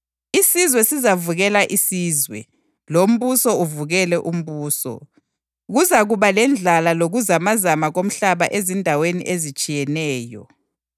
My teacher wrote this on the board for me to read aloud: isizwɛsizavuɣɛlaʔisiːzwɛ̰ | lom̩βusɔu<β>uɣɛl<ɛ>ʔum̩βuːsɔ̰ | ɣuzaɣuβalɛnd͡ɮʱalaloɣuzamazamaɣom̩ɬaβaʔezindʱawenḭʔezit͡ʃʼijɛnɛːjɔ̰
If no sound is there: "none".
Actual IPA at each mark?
v, ɛ

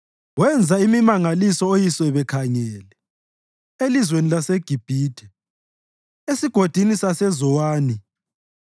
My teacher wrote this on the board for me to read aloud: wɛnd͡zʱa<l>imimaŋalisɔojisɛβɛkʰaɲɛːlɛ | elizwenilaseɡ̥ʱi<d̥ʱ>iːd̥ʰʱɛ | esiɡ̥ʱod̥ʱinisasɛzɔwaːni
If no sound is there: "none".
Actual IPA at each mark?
none, b̥ʱ

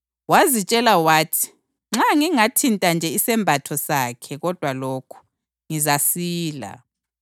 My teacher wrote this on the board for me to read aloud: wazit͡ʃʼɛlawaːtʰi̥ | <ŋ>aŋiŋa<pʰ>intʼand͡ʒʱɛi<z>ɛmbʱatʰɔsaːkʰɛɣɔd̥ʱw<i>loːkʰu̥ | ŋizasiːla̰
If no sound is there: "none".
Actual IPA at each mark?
ŋ͡ǁ, tʰ, s, a

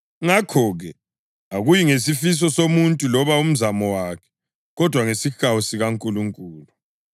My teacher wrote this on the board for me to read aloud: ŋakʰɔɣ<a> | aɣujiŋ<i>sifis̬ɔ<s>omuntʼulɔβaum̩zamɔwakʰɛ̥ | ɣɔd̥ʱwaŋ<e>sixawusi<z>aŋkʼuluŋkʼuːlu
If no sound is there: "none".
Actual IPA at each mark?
ɛ, e, s, e, ɣ

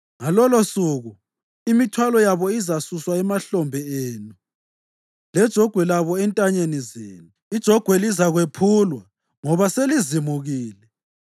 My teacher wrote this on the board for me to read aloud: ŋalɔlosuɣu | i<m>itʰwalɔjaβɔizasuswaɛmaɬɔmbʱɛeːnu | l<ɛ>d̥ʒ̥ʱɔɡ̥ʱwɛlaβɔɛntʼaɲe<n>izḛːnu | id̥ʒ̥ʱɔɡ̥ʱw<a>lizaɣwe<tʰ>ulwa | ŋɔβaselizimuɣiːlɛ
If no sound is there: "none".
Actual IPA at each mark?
m, ɛ, n, ɛ, pʰ

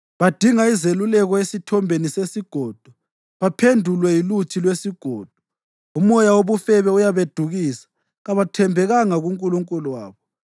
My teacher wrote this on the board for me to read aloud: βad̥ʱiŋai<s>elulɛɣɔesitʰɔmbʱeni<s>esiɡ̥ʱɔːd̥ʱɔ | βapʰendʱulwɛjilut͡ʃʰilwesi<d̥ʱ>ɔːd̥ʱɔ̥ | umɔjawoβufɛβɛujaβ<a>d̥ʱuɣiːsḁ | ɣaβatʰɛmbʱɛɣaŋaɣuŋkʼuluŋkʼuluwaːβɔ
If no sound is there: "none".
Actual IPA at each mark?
z, s, ɡ̥ʱ, e

